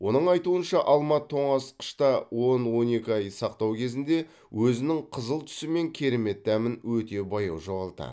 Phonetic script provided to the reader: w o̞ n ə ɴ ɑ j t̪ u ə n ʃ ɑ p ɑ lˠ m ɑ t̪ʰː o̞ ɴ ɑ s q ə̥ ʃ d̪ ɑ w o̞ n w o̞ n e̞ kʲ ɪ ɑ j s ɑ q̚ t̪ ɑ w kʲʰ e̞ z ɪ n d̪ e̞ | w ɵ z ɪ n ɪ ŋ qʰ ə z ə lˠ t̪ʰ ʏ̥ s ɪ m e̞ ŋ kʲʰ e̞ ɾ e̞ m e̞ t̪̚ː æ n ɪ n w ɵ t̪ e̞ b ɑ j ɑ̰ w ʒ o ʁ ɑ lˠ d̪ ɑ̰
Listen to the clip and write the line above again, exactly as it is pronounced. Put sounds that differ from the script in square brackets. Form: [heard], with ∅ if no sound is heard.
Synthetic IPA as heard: w o̞ n ə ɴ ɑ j t̪ u ə n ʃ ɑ [ʔ] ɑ lˠ m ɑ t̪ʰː o̞ ɴ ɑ s q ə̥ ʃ [t̪] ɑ w o̞ n w o̞ n e̞ kʲ ɪ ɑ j s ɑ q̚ t̪ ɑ w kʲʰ e̞ z ɪ n d̪ e̞ | w ɵ z ɪ n ɪ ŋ qʰ ə z ə lˠ t̪ʰ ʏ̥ s ɪ m e̞ ŋ kʲʰ e̞ ɾ e̞ m e̞ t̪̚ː æ [m] ɪ n w ɵ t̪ e̞ b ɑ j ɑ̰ w ʒ o ʁ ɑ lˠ [t̪] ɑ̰